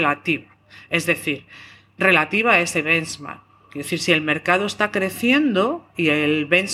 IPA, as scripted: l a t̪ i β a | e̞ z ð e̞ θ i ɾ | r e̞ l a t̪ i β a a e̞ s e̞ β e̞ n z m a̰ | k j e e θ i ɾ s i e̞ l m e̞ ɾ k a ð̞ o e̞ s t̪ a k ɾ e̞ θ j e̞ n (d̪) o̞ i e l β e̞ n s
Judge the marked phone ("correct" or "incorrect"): correct